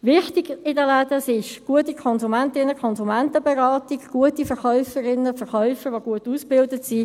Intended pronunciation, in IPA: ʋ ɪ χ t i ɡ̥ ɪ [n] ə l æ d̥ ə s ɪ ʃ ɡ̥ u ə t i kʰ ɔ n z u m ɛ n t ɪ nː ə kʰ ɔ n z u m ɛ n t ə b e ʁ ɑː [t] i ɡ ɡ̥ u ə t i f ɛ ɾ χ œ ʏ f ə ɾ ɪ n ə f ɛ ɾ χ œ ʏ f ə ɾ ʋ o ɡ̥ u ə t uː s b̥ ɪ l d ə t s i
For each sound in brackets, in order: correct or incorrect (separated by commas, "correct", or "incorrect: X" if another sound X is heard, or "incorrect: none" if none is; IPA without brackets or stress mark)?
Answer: incorrect: d, correct